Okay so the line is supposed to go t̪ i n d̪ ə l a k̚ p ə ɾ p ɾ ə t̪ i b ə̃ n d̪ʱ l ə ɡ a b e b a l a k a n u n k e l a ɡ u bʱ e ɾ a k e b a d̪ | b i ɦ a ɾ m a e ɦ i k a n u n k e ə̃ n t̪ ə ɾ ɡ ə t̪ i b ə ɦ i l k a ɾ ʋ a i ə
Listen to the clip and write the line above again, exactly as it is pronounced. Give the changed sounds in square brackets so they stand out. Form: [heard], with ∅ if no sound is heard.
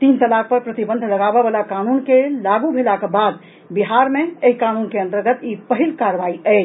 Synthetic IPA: t̪ i n [t̪] ə l a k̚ p ə ɾ p ɾ ə t̪ i b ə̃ n d̪ʱ l ə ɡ a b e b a l a k a n u n k e l a ɡ u bʱ e [l] a k e b a d̪ | b i ɦ a ɾ m [e] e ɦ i k a n u n k e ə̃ n t̪ ə ɾ ɡ ə t̪ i [p] ə ɦ i l k a ɾ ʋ a i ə